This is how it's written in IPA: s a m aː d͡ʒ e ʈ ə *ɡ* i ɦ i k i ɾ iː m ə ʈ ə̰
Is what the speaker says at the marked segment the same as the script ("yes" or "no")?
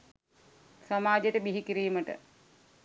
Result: no